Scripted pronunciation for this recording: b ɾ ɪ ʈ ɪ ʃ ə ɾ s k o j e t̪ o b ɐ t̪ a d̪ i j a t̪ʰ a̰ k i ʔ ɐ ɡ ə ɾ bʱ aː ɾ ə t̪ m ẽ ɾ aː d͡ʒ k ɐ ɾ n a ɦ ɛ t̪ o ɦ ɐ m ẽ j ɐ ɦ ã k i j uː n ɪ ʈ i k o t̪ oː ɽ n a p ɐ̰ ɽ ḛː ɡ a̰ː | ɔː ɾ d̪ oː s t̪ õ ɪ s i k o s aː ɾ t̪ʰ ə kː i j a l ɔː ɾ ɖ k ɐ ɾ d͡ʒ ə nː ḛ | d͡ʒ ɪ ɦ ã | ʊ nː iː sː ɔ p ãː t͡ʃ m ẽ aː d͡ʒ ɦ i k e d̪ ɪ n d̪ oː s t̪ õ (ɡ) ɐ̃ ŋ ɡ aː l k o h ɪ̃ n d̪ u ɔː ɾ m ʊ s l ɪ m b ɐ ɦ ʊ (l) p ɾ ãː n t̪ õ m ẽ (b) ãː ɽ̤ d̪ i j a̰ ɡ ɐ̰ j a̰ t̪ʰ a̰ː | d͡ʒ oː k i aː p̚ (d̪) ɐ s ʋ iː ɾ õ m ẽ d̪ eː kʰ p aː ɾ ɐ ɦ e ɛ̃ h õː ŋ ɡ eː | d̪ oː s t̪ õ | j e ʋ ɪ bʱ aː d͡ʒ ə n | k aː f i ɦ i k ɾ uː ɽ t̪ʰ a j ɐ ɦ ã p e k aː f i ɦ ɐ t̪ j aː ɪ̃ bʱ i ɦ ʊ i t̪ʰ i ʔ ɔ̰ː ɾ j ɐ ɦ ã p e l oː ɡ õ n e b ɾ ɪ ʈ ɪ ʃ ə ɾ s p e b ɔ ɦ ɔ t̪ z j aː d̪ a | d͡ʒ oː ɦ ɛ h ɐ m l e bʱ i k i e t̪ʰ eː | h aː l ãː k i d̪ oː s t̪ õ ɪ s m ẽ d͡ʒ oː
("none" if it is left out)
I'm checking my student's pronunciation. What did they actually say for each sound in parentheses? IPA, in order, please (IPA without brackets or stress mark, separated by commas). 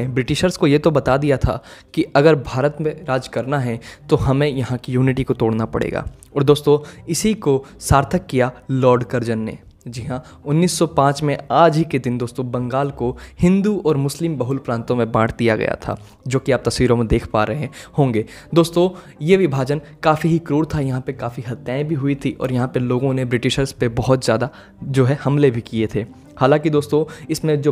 b, l, b, t̪